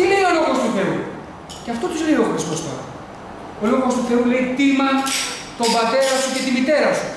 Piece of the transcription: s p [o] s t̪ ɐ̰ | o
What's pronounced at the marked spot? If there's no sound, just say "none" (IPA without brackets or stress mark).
o